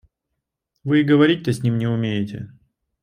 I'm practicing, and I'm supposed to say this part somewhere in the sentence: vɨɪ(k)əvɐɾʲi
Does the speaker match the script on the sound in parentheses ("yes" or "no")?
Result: no